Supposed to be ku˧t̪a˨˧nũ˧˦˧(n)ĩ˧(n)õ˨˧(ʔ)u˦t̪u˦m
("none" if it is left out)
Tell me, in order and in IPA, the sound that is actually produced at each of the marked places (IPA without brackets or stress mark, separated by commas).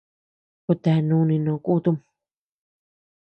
n, n, k